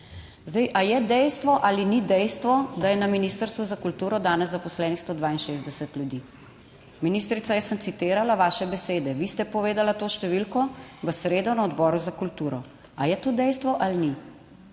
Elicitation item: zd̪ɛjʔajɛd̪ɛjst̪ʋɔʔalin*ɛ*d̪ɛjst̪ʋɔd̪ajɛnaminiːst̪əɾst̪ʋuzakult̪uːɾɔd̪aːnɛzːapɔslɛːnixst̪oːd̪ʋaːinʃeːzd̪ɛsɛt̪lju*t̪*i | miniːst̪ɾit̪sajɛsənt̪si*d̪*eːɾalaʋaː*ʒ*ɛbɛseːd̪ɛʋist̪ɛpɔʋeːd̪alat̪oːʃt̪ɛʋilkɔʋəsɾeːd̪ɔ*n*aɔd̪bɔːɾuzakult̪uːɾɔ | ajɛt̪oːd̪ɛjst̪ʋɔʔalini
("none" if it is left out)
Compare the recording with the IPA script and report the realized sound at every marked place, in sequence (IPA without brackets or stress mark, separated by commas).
i, d̪, t̪, ʃ, n